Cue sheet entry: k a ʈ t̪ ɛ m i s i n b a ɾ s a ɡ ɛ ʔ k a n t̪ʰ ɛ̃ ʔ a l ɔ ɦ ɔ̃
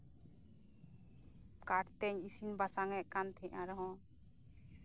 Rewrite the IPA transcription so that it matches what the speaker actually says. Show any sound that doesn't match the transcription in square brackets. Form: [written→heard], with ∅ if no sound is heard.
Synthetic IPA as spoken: k a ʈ t̪ ɛ [m→ɲ] i s i n b a [ɾ→∅] s a [ɡ→ŋ] ɛ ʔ k a n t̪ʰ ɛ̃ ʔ a [l→ɾ] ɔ ɦ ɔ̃